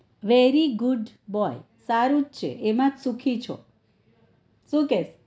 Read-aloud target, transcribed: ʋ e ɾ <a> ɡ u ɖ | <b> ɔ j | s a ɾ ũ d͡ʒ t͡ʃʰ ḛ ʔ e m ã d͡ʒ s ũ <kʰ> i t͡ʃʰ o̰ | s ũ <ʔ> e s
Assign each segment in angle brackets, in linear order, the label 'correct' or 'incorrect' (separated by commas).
incorrect, correct, correct, incorrect